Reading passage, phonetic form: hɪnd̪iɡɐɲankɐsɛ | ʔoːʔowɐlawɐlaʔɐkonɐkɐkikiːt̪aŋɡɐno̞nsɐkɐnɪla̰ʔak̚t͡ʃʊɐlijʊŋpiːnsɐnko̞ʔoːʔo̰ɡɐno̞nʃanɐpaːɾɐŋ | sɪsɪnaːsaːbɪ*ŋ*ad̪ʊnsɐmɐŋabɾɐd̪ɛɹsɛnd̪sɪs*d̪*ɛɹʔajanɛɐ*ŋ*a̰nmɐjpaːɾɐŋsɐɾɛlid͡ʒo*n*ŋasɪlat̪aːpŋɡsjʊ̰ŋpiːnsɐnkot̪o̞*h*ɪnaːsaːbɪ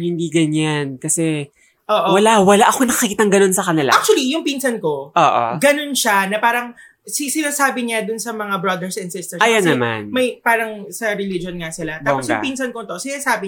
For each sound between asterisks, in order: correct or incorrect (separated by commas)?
incorrect, incorrect, incorrect, correct, incorrect